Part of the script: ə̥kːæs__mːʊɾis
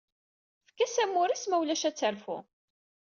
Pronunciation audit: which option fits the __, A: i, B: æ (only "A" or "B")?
B